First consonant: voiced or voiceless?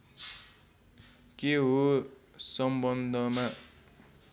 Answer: voiceless